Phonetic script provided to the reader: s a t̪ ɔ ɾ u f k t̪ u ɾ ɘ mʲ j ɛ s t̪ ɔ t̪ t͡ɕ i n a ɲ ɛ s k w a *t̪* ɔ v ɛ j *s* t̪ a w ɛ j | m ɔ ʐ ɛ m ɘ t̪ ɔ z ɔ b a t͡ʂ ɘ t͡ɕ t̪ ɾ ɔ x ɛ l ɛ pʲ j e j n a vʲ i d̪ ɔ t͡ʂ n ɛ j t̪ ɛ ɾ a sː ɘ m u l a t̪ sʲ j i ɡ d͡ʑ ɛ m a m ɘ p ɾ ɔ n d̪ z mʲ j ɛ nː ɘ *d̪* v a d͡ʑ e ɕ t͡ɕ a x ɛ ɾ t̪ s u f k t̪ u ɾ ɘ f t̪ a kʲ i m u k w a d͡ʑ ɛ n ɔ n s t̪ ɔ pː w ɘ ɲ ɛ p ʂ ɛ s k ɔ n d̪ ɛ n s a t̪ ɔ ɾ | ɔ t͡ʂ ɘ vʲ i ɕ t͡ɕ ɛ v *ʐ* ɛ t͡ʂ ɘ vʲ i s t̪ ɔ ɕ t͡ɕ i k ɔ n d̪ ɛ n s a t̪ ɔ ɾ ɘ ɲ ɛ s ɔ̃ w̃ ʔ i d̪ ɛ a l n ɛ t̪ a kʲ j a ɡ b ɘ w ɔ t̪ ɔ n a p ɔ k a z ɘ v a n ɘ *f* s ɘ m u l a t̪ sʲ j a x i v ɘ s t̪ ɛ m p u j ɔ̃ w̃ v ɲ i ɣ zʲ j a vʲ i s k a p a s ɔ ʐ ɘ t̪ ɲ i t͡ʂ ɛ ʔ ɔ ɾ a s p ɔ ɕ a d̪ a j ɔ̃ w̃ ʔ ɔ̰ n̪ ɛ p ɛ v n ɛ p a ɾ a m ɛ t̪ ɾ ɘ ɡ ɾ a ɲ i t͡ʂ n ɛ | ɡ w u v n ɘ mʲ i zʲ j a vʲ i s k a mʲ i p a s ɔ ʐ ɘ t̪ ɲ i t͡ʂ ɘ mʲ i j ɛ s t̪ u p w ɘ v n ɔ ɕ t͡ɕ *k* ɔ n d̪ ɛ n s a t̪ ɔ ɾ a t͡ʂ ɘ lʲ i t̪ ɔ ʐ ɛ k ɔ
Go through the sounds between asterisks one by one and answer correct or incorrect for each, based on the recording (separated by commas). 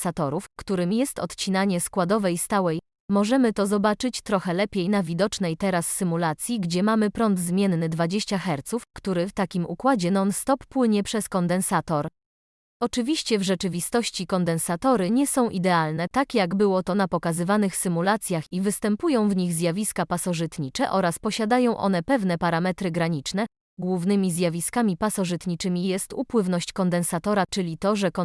incorrect, correct, correct, correct, incorrect, correct